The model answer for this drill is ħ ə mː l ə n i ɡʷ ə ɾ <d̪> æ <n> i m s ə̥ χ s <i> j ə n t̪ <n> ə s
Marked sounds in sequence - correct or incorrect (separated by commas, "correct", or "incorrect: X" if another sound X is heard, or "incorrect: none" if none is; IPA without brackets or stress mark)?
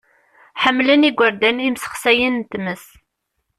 correct, correct, incorrect: æ, incorrect: m